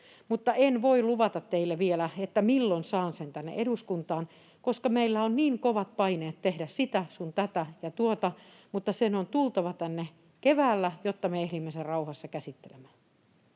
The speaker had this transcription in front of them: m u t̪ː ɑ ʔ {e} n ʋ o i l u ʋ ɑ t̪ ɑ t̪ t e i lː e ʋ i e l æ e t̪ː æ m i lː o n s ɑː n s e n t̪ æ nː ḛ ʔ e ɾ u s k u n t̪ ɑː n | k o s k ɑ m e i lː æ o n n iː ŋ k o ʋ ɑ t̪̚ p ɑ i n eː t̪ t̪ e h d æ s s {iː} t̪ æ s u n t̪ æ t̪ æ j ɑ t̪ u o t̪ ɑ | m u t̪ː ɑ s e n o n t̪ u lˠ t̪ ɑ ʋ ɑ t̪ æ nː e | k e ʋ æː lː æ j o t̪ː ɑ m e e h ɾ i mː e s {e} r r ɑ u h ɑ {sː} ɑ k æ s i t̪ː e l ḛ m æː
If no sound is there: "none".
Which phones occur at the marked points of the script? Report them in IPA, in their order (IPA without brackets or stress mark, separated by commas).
e, i, e, sː